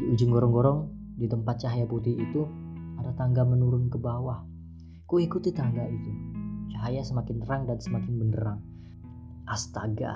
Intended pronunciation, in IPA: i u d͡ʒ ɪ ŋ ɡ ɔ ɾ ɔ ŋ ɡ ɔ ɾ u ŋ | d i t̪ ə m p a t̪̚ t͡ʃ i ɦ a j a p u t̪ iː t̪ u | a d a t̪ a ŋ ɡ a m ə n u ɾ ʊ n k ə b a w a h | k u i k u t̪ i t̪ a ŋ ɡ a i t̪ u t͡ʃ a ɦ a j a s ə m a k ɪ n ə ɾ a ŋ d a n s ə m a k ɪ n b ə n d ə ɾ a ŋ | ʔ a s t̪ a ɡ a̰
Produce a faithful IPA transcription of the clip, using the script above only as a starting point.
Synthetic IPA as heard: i u d͡ʒ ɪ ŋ ɡ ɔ ɾ ɔ ŋ ɡ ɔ ɾ ɔ ŋ | d i t̪ ə m p a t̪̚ t͡ʃ a ɦ a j a p u t̪ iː t̪ u | a d a t̪ a ŋ ɡ a m ə n u ɾ ʊ n k ə b a w a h | k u i k u t̪ i t̪ a ŋ ɡ a i t̪ u t͡ʃ a ɦ a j a s ə m a k ɪ n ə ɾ a ŋ d a n s ə m a k ɪ n b ə n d ə ɾ a ŋ | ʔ a s t̪ a ɡ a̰